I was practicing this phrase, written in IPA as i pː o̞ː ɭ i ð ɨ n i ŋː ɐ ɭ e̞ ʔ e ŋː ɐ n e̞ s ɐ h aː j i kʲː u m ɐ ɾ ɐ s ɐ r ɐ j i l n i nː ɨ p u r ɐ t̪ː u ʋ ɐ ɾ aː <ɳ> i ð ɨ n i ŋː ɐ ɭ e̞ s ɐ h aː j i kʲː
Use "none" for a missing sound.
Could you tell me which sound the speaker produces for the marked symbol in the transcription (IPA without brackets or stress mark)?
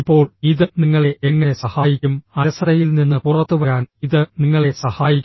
n